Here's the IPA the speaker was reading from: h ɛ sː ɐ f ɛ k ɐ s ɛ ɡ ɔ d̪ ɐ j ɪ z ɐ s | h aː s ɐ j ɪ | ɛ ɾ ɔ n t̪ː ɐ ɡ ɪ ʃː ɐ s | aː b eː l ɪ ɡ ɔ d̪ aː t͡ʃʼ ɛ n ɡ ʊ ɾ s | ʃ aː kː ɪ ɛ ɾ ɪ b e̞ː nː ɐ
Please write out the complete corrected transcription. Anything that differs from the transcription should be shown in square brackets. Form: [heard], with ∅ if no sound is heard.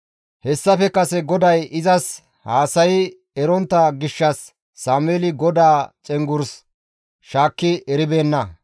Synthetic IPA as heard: h ɛ sː ɐ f ɛ k ɐ s ɛ ɡ ɔ d̪ ɐ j ɪ z ɐ s | h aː s ɐ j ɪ | ɛ ɾ ɔ n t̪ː ɐ ɡ ɪ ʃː ɐ [sː] | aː [m] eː l ɪ ɡ ɔ d̪ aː t͡ʃʼ ɛ [ŋ] ɡ ʊ ɾ s | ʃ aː kː ɪ ɛ ɾ ɪ b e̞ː nː ɐ